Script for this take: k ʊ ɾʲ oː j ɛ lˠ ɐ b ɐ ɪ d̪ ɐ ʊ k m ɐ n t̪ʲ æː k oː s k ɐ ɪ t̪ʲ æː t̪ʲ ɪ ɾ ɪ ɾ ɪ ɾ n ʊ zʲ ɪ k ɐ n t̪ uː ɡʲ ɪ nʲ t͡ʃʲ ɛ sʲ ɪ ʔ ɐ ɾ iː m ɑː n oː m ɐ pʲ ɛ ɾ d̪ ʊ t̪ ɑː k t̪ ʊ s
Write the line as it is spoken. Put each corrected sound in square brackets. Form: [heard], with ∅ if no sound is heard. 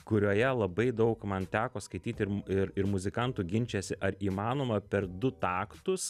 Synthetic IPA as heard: k ʊ ɾʲ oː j ɛ lˠ ɐ b ɐ ɪ d̪ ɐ ʊ k m ɐ n t̪ʲ æː k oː s k ɐ ɪ t̪ʲ [iː] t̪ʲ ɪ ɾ ɪ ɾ ɪ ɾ [m] ʊ zʲ ɪ k ɐ n t̪ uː ɡʲ ɪ nʲ t͡ʃʲ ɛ sʲ ɪ ʔ ɐ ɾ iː m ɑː n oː m ɐ pʲ ɛ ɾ d̪ ʊ t̪ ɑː k t̪ ʊ s